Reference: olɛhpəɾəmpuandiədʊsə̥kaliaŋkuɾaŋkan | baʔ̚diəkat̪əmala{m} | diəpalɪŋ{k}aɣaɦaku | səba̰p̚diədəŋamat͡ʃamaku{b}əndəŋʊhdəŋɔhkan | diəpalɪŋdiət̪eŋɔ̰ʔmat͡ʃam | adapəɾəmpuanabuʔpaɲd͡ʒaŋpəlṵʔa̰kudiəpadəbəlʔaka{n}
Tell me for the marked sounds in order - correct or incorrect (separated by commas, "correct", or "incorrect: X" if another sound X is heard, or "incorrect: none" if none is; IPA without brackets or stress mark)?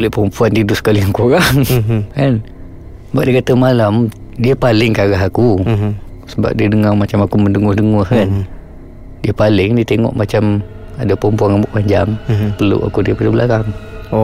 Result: correct, correct, incorrect: m, incorrect: ŋ